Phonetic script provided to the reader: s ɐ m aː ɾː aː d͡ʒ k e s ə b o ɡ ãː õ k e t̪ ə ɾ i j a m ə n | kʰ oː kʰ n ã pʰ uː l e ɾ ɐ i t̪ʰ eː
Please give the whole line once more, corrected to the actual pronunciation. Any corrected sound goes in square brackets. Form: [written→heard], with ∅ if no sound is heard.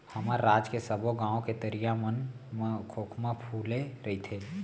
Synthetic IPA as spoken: [s→h] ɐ m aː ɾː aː d͡ʒ k e s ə b o ɡ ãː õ k e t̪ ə ɾ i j a m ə n | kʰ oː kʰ [n→m] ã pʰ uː l e ɾ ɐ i t̪ʰ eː

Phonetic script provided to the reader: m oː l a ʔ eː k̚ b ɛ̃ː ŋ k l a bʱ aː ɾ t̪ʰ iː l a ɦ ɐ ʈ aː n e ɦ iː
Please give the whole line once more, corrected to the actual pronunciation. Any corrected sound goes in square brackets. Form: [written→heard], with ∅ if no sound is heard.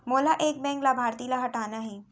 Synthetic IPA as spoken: m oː l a ʔ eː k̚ b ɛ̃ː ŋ k l a bʱ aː ɾ [t̪ʰ→t̪] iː l a ɦ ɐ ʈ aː n [e→a] ɦ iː

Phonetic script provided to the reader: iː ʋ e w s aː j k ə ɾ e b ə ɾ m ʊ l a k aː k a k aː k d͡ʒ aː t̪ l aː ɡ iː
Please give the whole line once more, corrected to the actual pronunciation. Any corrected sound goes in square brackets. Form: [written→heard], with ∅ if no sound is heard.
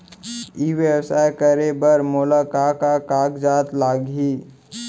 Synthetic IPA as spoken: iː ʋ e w s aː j k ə ɾ e b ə ɾ m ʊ l a k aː k a k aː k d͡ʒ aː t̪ l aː ɡ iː

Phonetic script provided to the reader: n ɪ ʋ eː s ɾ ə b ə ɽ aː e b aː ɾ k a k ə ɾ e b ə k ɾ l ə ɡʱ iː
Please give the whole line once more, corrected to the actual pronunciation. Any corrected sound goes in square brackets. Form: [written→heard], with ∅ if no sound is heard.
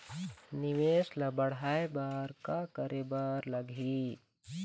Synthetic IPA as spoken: n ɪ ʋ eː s [ɾ→l] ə b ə ɽ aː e b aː ɾ k a k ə ɾ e b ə [k→∅] ɾ l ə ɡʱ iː

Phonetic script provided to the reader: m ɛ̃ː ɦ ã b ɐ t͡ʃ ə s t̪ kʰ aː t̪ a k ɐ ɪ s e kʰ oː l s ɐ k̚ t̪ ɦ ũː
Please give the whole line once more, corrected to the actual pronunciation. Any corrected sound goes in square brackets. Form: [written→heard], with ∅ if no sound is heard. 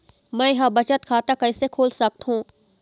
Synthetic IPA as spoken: m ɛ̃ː ɦ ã b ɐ t͡ʃ ə [s→∅] t̪ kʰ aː t̪ a k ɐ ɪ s e kʰ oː l s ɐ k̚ t̪ ɦ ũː

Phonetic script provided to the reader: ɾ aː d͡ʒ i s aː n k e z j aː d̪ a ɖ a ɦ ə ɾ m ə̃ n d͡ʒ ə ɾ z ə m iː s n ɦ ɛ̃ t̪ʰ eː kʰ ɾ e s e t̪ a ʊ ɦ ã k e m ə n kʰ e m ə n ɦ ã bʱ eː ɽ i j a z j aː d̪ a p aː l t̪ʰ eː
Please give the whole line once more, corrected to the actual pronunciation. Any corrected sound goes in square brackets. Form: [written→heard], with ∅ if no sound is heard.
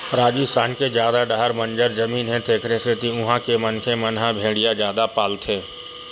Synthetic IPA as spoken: ɾ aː d͡ʒ i s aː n k e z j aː d̪ a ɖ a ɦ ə ɾ m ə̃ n d͡ʒ ə ɾ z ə m iː [s→∅] n ɦ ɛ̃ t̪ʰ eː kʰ ɾ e s e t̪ [a→i] ʊ ɦ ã k e m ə n kʰ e m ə n ɦ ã bʱ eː ɽ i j a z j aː d̪ a p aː l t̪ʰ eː

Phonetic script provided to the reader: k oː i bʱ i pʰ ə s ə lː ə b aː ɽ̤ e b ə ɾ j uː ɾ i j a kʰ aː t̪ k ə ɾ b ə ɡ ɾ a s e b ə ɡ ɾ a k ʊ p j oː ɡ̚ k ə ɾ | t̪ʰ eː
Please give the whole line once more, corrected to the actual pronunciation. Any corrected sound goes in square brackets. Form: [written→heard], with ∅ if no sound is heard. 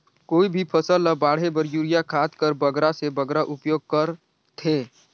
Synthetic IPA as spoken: k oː i bʱ i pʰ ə s ə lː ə b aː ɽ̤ e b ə ɾ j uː ɾ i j a kʰ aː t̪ k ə ɾ b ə ɡ ɾ a s e b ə ɡ ɾ a [k→ʔ] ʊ p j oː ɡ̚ k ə ɾ | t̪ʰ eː

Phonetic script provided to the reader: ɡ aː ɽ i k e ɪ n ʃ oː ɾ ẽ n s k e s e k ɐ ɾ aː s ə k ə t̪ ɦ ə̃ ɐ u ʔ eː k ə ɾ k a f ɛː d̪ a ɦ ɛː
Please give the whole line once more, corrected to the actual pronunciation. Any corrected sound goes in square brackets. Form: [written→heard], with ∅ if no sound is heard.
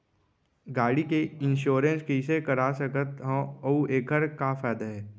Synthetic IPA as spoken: ɡ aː ɽ i k e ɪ n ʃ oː ɾ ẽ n s k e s e k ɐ ɾ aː s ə k ə t̪ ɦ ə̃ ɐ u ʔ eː k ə ɾ k a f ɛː d̪ a ɦ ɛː

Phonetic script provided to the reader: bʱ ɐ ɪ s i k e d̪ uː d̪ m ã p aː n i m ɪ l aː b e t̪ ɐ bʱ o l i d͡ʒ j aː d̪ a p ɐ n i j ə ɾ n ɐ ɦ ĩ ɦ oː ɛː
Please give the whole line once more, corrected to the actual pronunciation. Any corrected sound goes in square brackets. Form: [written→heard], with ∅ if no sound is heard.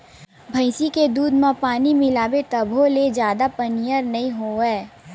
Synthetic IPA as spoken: bʱ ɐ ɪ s i k e d̪ uː d̪ m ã p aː n i m ɪ l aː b e t̪ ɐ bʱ o l [i→e] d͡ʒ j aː d̪ a p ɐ n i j ə ɾ n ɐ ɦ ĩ ɦ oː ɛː

